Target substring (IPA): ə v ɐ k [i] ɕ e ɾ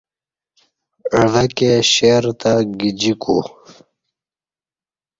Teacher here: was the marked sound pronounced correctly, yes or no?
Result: no